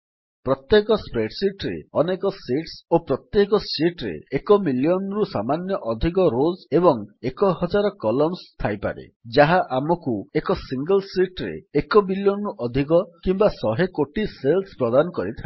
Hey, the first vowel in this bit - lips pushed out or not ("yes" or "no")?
yes